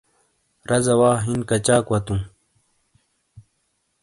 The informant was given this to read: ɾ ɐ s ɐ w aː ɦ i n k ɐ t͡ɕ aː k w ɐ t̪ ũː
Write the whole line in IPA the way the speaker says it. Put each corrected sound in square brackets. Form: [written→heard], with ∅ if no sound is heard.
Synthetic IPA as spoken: ɾ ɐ [s→z] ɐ w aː ɦ i n k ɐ t͡ɕ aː k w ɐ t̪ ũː